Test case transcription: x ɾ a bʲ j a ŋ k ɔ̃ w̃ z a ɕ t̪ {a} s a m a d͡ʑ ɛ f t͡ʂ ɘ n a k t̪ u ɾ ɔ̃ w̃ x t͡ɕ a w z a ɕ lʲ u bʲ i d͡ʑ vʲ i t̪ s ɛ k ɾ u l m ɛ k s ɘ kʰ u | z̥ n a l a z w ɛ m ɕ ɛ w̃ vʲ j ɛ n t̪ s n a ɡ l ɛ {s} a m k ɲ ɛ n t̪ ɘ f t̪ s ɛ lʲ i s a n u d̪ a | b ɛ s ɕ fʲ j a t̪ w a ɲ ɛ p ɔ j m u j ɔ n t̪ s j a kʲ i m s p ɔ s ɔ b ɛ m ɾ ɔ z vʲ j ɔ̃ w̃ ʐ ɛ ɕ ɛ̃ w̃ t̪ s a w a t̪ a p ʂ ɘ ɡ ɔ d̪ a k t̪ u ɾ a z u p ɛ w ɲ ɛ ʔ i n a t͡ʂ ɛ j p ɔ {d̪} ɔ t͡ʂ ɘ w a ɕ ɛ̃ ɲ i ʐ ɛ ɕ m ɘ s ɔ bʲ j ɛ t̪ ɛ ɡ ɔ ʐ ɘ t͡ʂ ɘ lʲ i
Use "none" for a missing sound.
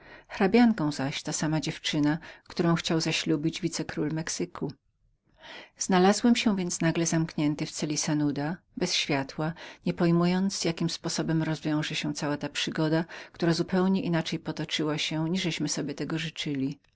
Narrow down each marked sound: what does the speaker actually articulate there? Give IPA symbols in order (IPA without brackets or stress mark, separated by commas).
a, z, t̪